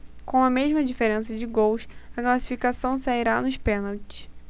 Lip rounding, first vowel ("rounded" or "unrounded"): rounded